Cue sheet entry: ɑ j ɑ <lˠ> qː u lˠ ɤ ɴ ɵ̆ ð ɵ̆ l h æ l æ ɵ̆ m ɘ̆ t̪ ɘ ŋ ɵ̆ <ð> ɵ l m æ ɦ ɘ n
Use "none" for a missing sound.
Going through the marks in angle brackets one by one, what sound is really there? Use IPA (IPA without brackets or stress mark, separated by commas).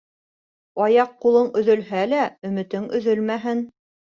none, ð